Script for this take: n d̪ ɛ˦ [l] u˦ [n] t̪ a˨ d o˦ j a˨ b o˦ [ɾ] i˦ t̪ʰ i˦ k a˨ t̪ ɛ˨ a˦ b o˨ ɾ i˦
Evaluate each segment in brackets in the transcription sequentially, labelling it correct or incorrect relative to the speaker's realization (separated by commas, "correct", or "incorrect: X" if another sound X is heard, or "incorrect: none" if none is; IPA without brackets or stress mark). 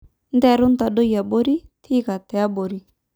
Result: incorrect: ɾ, correct, correct